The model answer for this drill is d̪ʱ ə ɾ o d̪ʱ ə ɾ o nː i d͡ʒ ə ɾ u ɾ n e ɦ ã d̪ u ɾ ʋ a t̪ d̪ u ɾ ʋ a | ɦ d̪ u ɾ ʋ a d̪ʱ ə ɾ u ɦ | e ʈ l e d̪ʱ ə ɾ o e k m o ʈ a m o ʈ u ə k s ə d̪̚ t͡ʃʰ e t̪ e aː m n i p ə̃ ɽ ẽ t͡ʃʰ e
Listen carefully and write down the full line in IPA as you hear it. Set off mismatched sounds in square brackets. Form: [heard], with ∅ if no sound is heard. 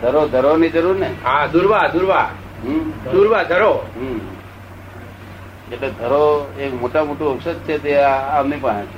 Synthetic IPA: d̪ʱ ə ɾ o d̪ʱ ə ɾ o [n] i d͡ʒ ə ɾ u ɾ n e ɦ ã d̪ u ɾ ʋ a [∅] d̪ u ɾ ʋ a | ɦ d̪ u ɾ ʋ a d̪ʱ ə ɾ [o] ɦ | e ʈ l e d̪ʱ ə ɾ o e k m o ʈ a m o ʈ u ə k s ə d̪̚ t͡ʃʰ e t̪ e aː m n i p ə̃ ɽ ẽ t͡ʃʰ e